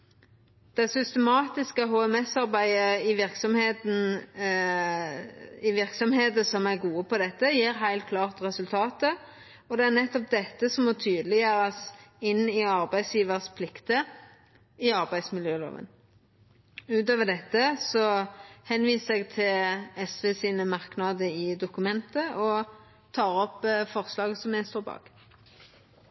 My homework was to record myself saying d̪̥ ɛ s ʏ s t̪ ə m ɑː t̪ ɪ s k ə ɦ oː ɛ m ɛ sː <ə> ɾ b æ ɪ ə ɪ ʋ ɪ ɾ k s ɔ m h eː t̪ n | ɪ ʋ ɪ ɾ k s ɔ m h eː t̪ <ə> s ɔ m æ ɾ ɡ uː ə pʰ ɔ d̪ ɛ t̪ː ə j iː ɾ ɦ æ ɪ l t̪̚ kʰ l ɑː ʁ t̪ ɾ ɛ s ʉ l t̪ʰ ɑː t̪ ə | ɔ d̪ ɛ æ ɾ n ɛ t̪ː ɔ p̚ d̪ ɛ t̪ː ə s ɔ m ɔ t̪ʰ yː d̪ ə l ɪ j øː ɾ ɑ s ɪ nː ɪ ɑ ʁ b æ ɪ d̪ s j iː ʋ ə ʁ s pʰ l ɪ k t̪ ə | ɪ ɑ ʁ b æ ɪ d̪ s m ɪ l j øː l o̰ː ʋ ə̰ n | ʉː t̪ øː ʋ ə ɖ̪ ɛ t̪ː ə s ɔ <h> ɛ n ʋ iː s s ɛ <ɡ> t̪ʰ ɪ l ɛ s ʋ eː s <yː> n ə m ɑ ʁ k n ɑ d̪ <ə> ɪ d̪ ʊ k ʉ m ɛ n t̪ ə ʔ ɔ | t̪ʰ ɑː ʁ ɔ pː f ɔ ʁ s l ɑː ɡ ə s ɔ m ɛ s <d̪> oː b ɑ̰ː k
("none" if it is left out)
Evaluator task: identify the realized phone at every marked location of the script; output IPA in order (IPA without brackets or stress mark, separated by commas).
ɑ, ə, h, ɡ, iː, ə, t̪